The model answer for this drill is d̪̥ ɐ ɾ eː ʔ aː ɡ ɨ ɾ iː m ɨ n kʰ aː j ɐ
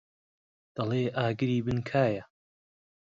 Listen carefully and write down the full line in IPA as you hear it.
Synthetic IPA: d̪̥ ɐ l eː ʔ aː ɡ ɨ ɾ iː b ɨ n kʰ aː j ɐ